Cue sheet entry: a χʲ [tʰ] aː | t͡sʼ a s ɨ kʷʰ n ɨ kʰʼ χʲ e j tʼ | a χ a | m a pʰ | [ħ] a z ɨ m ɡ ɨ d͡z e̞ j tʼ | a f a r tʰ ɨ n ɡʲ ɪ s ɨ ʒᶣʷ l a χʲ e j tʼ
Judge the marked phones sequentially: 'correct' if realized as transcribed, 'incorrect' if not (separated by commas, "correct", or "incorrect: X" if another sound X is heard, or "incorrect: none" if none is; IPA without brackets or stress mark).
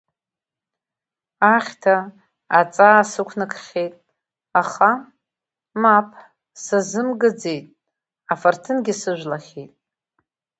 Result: correct, incorrect: s